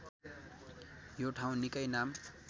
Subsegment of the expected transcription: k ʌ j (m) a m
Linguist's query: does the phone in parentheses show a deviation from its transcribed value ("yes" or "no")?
yes